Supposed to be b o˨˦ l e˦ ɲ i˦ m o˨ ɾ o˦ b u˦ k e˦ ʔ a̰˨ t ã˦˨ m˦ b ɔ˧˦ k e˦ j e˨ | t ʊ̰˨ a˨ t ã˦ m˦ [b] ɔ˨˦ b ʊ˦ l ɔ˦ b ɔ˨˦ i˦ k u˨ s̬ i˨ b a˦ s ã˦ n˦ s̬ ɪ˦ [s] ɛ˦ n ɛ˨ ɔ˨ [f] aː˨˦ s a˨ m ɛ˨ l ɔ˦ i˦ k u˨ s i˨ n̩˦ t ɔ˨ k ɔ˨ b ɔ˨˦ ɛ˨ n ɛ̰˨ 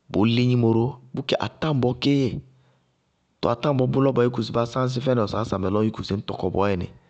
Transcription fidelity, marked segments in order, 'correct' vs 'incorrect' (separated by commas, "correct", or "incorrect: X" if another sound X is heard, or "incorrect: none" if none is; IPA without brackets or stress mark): correct, incorrect: f, incorrect: s